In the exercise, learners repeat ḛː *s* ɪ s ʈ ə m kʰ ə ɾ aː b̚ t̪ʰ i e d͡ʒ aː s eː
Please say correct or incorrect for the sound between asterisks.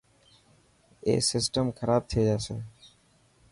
correct